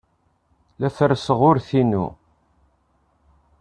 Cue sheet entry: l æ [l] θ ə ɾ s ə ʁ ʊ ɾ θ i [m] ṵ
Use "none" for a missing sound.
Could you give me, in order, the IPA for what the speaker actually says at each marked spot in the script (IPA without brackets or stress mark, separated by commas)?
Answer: none, n